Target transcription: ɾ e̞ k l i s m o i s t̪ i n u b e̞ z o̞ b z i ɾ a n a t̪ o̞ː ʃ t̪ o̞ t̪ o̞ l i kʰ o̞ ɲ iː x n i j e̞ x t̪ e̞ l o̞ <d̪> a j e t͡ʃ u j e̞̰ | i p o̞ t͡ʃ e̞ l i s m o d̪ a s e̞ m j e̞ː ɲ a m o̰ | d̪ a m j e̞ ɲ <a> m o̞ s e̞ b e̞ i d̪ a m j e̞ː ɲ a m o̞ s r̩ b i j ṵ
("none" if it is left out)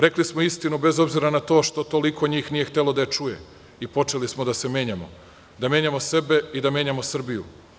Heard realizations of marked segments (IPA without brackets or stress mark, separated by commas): d̪, a